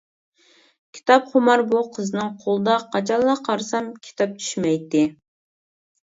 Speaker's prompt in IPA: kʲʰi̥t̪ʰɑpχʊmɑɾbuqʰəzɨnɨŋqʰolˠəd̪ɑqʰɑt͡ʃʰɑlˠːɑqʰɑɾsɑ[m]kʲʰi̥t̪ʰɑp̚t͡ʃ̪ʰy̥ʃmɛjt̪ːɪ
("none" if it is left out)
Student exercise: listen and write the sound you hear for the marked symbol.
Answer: m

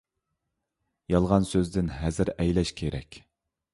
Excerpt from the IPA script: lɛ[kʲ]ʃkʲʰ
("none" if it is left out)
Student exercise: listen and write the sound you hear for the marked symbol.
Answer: none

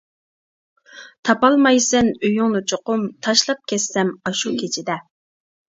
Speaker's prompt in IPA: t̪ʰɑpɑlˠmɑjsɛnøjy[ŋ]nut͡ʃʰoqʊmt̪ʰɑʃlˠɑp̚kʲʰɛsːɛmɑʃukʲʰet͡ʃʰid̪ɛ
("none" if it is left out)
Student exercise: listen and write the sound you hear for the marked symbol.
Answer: ŋ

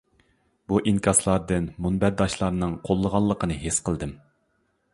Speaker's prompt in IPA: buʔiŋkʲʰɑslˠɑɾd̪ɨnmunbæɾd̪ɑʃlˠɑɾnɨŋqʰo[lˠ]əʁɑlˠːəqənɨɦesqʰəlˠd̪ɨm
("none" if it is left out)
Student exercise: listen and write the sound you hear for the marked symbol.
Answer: lˠː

